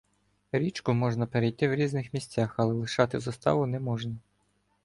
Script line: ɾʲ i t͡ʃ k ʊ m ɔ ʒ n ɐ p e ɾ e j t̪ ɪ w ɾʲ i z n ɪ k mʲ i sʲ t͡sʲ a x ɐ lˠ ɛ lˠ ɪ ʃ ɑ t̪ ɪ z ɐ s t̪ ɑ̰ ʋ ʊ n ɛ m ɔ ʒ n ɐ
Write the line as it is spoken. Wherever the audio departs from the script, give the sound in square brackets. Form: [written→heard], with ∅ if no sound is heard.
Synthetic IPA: ɾʲ i t͡ʃ k ʊ m ɔ ʒ n ɐ p e ɾ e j t̪ ɪ w ɾʲ i z n ɪ [k→x] mʲ i sʲ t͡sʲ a x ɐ lˠ ɛ lˠ ɪ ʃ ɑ t̪ ɪ z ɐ s t̪ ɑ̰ ʋ ʊ n ɛ m ɔ ʒ n ɐ